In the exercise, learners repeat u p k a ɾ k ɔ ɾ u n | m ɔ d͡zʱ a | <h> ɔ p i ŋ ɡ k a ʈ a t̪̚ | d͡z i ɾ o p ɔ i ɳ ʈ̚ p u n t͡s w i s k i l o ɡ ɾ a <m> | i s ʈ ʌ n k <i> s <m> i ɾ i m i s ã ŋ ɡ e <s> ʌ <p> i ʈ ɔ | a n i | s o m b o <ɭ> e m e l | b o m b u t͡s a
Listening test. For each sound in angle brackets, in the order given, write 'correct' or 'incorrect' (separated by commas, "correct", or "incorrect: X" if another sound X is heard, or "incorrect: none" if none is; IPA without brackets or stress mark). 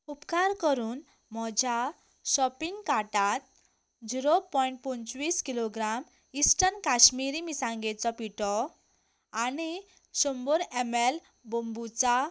incorrect: s, correct, incorrect: a, correct, incorrect: t͡s, correct, incorrect: ɾ